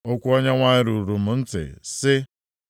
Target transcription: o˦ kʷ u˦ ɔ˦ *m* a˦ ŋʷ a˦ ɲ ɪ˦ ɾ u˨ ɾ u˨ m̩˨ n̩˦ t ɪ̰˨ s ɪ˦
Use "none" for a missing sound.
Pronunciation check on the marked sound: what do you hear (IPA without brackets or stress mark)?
ɲ